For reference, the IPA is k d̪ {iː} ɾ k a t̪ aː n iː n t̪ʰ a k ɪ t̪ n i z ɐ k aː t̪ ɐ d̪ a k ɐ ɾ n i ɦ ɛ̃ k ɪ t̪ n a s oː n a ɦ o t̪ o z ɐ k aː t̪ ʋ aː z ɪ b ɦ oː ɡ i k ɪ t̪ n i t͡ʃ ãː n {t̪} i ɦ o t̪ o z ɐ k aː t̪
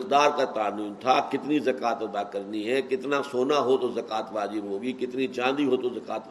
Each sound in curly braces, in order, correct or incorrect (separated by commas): incorrect, incorrect